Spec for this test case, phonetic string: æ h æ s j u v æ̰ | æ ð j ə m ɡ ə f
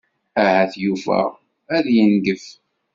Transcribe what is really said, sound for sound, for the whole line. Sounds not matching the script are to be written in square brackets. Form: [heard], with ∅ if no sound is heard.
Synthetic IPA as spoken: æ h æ [θ] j u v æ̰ | æ ð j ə [n] ɡ ə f